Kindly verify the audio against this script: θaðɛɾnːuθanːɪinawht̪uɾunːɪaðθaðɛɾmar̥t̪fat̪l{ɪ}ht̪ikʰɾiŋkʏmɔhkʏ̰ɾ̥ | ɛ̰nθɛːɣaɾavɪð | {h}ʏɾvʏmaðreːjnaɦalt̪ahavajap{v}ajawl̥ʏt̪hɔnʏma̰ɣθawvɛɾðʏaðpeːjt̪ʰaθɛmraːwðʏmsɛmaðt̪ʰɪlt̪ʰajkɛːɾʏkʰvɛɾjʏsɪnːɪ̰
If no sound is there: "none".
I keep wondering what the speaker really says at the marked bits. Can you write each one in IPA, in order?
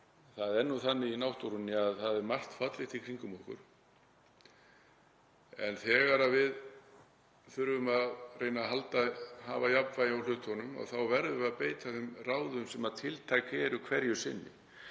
ɪ, θ, v

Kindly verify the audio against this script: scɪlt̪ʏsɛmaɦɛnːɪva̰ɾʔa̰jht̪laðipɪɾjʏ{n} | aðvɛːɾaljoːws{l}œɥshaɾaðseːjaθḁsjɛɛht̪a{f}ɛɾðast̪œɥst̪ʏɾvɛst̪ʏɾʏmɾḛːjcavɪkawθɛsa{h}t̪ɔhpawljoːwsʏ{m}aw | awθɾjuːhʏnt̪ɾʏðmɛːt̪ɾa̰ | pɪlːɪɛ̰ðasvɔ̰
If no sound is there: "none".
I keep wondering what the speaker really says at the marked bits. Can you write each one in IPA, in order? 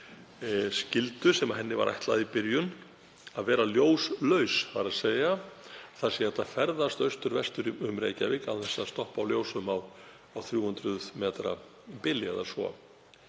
n, l, f, s, m

